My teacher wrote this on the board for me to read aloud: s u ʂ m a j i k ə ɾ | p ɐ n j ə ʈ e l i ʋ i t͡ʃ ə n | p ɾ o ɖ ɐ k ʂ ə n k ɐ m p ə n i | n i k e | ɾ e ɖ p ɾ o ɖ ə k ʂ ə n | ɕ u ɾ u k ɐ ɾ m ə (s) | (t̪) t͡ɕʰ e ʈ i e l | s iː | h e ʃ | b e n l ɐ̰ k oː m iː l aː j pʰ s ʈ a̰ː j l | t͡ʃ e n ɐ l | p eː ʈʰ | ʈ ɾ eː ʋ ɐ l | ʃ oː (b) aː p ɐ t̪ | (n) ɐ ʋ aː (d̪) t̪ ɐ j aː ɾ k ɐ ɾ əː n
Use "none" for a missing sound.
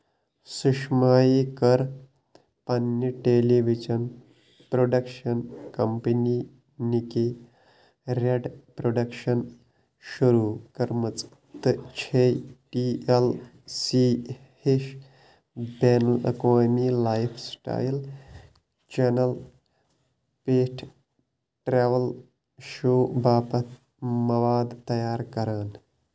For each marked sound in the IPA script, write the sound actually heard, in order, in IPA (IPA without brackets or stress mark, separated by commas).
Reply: t͡s, t̪, b, m, d̪